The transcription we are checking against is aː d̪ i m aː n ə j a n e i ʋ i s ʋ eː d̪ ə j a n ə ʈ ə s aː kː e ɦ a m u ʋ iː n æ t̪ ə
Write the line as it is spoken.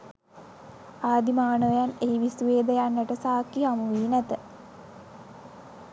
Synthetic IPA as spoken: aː d̪ i m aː n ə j a n e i ʋ i s ʋ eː d̪ ə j a nː ə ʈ ə s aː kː i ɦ a m u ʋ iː n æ t̪ ə